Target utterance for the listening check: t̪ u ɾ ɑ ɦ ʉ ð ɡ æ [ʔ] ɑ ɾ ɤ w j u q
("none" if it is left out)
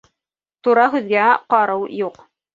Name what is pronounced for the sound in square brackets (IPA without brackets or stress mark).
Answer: q